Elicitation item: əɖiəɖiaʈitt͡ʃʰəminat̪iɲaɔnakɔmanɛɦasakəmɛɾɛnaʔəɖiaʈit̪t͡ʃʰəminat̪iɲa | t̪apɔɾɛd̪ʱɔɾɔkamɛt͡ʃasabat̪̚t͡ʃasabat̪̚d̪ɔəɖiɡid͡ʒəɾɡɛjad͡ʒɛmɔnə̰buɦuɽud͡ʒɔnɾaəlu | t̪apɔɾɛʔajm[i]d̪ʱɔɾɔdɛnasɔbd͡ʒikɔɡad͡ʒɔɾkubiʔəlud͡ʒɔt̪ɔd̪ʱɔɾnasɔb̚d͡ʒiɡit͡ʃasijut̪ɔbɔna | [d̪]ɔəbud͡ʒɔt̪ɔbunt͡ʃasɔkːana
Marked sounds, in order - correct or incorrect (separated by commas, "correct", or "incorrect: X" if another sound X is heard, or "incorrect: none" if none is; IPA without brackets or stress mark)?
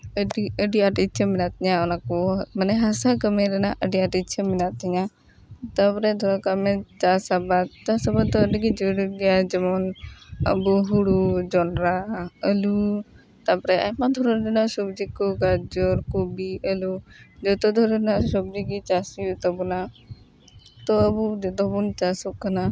incorrect: a, incorrect: t̪